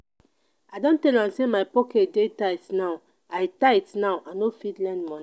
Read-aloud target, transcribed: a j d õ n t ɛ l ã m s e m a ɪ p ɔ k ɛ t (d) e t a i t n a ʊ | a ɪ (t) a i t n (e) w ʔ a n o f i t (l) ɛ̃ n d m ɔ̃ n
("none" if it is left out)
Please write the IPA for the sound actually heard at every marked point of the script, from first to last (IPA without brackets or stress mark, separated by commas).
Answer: d, t, a, l